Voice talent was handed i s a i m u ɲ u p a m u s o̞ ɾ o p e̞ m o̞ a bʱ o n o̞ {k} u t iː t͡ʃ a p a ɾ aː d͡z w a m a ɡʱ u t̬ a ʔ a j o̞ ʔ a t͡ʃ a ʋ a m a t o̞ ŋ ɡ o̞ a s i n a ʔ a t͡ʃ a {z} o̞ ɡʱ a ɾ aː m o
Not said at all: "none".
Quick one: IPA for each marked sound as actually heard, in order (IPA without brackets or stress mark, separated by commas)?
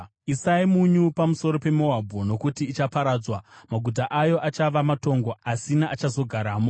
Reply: k, z